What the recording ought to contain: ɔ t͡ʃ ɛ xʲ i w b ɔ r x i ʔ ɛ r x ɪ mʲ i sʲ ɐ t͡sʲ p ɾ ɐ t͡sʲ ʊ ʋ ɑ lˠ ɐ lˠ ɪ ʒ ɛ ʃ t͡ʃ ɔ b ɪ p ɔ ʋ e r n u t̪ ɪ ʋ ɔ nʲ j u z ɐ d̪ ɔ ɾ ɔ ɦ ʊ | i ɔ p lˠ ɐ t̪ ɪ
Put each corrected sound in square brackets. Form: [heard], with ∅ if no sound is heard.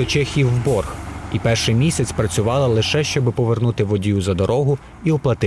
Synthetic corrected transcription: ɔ t͡ʃ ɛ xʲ i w b ɔ r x i [p] ɛ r [ʃ] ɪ mʲ i sʲ ɐ t͡sʲ p ɾ ɐ t͡sʲ ʊ ʋ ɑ lˠ ɐ lˠ ɪ [ʃ] ɛ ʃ t͡ʃ ɔ b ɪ p ɔ ʋ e r n u t̪ ɪ ʋ ɔ [dʲ] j u z ɐ d̪ ɔ ɾ ɔ ɦ ʊ | i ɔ p lˠ ɐ t̪ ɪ